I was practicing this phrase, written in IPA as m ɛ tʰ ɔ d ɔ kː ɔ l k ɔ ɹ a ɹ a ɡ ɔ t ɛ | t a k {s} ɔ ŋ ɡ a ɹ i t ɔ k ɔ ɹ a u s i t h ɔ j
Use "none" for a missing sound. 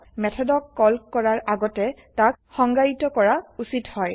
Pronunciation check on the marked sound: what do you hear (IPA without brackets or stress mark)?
x